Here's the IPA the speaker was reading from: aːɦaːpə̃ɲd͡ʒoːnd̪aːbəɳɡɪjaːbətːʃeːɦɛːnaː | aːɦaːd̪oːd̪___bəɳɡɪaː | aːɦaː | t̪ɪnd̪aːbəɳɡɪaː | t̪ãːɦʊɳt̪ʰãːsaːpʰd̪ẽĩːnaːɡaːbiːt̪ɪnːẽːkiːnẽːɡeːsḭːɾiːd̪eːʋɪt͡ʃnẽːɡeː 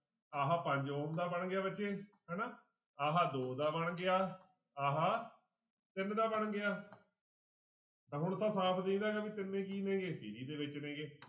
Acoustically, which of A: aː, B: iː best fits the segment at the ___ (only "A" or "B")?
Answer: A